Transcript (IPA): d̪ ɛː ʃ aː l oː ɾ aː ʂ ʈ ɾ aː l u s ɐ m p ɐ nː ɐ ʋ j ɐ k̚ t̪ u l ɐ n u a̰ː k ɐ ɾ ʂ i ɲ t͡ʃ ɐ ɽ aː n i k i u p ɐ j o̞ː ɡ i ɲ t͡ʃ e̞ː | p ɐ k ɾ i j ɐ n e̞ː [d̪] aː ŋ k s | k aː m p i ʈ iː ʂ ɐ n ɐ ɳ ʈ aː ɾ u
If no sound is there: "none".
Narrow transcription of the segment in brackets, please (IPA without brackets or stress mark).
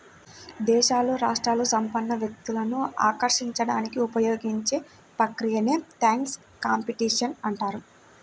t̪